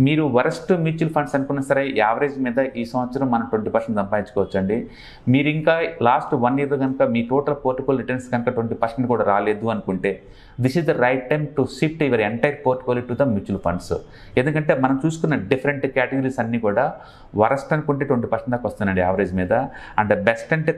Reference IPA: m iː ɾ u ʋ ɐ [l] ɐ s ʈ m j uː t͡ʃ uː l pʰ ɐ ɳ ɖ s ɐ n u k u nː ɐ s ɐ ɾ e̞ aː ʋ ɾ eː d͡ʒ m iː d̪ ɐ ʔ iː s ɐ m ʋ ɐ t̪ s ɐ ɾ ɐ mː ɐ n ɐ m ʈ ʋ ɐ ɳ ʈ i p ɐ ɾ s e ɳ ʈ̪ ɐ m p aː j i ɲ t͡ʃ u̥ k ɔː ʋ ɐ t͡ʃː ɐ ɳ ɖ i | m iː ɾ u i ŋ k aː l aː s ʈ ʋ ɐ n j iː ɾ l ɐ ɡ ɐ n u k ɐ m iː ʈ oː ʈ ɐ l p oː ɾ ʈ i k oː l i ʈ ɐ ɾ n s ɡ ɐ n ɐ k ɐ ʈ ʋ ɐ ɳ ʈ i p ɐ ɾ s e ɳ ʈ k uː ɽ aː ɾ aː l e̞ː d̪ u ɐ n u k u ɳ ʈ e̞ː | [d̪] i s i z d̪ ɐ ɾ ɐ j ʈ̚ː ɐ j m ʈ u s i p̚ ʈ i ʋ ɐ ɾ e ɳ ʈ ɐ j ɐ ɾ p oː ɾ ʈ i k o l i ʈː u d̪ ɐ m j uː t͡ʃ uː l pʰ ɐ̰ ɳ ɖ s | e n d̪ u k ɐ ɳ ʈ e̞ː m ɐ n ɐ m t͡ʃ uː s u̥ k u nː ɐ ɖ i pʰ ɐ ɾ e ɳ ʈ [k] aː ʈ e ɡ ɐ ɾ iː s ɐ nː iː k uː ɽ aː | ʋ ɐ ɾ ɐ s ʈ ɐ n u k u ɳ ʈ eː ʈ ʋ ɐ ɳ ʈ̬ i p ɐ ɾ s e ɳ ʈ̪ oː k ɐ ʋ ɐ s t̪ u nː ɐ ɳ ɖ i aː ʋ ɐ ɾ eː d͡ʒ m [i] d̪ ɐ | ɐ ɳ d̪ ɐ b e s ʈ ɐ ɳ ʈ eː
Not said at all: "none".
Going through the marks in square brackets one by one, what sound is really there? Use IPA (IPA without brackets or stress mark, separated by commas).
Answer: ɾ, d̪, k, iː